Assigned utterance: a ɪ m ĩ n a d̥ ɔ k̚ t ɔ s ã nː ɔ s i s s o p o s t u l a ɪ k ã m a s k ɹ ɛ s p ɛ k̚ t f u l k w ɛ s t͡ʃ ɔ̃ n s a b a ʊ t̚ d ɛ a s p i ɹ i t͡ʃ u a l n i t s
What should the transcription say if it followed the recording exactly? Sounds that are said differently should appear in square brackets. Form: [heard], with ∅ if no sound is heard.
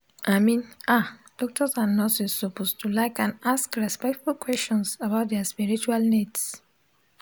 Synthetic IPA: a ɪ m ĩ n a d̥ ɔ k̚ t ɔ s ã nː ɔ s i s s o p o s t u l a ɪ k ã [n] a s k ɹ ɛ s p ɛ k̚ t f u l k w ɛ s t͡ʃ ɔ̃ n s a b a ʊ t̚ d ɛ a s p i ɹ i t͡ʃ u a l n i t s